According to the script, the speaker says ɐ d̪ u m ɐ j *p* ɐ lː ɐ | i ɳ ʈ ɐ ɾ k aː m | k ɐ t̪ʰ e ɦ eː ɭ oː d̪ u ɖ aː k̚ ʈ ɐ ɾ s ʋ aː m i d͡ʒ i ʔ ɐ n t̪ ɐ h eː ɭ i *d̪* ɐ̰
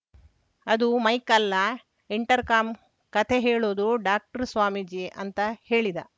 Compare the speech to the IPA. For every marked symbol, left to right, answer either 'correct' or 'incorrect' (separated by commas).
incorrect, correct